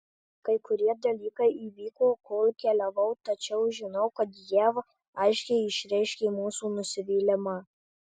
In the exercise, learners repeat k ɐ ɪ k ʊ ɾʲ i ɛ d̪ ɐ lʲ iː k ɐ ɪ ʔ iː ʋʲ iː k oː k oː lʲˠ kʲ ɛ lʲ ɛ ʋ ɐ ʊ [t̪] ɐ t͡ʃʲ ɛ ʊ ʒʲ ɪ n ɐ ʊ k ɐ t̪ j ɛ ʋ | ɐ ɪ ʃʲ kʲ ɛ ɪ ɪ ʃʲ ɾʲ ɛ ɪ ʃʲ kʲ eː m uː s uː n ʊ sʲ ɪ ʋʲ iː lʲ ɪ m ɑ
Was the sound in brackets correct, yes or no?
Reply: yes